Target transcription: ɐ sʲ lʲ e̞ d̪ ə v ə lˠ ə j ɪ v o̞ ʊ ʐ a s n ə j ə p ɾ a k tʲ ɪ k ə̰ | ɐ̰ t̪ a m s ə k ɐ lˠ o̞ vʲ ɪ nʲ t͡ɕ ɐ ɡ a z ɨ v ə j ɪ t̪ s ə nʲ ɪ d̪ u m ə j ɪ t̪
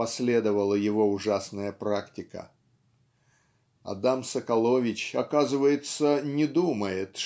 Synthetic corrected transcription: ɐ sʲ lʲ e̞ d̪ ə v ə lˠ ə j ɪ v o̞ ʊ ʐ a s n ə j ə p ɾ a k tʲ ɪ k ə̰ | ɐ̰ d̪ a m s ə k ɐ lˠ o̞ vʲ ɪ t͡ɕ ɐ k a z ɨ v ə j ɪ t̪ s ə nʲ ɪ d̪ u m ə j ɪ t̪